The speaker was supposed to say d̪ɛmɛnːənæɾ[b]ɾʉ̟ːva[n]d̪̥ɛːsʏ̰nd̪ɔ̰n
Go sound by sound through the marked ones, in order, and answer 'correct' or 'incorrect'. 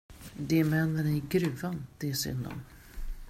incorrect, correct

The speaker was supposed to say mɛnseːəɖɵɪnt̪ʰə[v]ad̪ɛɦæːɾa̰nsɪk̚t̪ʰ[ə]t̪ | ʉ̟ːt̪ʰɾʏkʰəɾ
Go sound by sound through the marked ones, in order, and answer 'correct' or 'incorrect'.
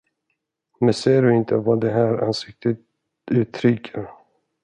correct, correct

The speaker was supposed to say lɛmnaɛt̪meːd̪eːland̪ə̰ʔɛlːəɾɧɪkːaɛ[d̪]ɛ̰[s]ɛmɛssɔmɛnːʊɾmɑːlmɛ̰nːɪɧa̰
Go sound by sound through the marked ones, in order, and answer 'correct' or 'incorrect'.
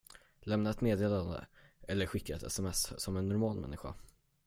incorrect, correct

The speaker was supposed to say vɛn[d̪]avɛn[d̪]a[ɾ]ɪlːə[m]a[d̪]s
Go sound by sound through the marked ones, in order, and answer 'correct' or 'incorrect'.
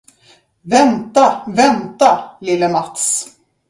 incorrect, incorrect, incorrect, correct, incorrect

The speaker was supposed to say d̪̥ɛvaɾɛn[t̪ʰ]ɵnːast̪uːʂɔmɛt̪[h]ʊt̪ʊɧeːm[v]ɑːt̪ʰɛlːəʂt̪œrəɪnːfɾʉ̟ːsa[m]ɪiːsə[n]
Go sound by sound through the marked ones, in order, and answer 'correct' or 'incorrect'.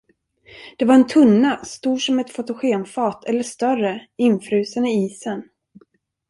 correct, incorrect, incorrect, incorrect, correct

